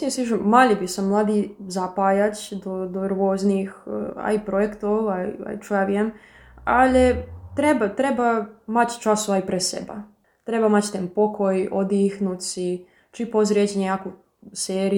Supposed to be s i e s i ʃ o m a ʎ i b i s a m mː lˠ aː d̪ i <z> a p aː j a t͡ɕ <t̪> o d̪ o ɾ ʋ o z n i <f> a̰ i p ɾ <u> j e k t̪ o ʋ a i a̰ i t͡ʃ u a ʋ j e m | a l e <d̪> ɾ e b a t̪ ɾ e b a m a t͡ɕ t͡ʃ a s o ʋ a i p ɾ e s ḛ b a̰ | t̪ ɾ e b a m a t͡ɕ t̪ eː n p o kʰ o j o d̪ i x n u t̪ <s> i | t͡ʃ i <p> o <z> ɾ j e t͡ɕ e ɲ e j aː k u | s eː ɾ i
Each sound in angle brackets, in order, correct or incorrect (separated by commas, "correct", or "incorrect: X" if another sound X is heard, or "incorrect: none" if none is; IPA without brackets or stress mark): correct, incorrect: d̪, incorrect: x, incorrect: o, incorrect: t̪, correct, correct, correct